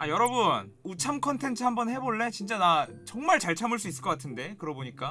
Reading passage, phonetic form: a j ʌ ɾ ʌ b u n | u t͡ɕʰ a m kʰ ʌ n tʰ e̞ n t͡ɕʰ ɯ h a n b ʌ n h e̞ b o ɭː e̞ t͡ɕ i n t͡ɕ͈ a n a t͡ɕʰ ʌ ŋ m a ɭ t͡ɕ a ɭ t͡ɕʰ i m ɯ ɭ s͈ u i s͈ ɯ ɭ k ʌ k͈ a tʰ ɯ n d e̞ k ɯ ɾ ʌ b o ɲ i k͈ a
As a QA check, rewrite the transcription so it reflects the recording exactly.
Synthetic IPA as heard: a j ʌ ɾ ʌ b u n | u t͡ɕʰ a m kʰ ʌ n tʰ e̞ n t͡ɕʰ ɯ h a m b ʌ n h e̞ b o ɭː e̞ t͡ɕ i n t͡ɕ͈ a n a t͡ɕ ʌ ŋ m a ɭ t͡ɕ a ɭ t͡ɕʰ a m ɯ ɭ s͈ u i s͈ ɯ ɭ k ʌ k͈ a tʰ ɯ n d e̞ k ɯ ɾ ʌ b o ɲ i k͈ a